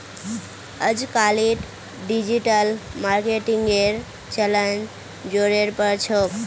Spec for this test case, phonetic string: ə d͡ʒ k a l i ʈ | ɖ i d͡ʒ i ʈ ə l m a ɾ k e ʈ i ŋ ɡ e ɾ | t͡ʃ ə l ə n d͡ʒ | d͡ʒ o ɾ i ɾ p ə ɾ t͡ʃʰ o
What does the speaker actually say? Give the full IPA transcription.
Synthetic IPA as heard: ə d͡ʒ k a l i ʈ | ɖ i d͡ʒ i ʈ ə l m a ɾ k e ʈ i ŋ ɡ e ɾ | t͡ʃ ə l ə n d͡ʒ | d͡ʒ o ɾ e ɾ p ə ɾ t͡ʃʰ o

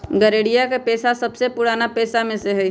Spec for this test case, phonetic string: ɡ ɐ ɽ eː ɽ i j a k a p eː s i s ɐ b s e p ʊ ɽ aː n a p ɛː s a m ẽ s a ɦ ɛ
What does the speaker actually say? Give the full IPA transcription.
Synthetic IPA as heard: ɡ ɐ ɾ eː ɽ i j a k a p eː s a s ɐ b s e p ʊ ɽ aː n a p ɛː s a m ẽ s e ɦ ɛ

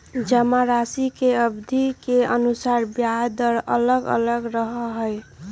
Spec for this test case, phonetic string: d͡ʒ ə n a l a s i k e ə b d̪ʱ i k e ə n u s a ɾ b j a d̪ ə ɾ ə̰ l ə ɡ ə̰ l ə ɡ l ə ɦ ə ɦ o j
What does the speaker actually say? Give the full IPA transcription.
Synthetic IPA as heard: d͡ʒ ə m a ɾ a s i k e ə b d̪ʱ i k e ə n u s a ɾ b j a d̪ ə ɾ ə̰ l ə ɡ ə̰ l ə ɡ ɾ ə ɦ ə ɦ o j

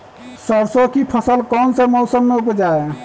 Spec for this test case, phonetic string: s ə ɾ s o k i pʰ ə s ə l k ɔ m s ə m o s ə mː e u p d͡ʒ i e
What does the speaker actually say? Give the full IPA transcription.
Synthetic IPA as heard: s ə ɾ s o k i pʰ ə s ə l k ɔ n s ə m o s ə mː e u p d͡ʒ a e

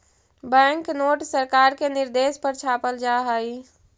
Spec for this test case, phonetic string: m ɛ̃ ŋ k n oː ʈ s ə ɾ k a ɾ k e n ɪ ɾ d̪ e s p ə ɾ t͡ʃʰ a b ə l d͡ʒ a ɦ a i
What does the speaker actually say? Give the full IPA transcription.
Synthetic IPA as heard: b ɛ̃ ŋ k n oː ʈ s ə ɾ k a ɾ k e n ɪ ɾ d̪ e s p ə ɾ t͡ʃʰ a p ə l d͡ʒ a ɦ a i

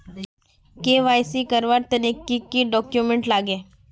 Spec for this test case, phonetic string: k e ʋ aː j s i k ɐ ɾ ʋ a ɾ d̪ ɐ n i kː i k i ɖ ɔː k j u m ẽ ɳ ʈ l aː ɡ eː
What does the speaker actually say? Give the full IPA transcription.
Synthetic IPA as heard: k e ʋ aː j s i k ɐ ɾ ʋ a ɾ t̪ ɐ n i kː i k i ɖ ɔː k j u m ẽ ɳ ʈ l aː ɡ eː

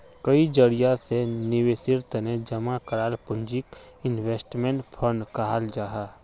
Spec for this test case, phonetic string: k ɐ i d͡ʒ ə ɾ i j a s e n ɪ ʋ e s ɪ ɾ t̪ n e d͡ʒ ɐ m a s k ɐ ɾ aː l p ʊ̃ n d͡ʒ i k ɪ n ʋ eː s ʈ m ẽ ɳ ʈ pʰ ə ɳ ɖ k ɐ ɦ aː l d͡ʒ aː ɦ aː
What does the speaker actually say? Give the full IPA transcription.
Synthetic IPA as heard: k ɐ i d͡ʒ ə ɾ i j a s e n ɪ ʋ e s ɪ ɾ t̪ n e d͡ʒ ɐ m a k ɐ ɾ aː l p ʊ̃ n d͡ʒ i k ɪ n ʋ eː s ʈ m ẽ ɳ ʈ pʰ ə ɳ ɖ k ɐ ɦ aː l d͡ʒ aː ɦ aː

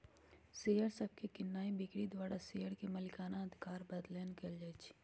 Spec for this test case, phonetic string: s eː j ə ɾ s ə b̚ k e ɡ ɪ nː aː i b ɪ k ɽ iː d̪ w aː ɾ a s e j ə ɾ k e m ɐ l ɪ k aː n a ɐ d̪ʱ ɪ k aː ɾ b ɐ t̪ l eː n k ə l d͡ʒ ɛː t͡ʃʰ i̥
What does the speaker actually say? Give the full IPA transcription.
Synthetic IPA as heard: s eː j ə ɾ s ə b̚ k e k ɪ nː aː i b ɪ k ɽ i d̪ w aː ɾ a s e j ə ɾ k e m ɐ l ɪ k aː n a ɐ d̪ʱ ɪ k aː ɾ b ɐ d̪ l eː n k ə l d͡ʒ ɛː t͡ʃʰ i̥

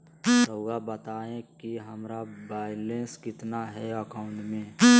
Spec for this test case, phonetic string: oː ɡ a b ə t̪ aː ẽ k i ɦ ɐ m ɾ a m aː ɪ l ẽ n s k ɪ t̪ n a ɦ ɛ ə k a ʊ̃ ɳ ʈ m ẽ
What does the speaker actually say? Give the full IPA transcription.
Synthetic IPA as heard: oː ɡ a b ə t̪ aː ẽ k i ɦ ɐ m ɾ a b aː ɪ l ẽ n s k ɪ t̪ n a ɦ ɛ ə k a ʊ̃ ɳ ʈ m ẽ

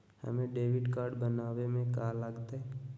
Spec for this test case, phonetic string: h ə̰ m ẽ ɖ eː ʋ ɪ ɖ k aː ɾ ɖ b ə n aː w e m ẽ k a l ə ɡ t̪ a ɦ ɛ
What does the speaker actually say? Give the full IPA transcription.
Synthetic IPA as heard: h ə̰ m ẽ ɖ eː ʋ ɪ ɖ k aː ɾ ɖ b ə n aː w e m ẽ k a l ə ɡ t̪ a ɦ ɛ

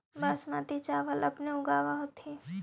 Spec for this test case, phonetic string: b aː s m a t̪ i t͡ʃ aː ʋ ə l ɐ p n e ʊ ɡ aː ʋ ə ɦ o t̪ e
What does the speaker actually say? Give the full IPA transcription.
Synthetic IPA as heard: b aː s m a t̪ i t͡ʃ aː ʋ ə l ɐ p n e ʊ ɡ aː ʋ a ɦ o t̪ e

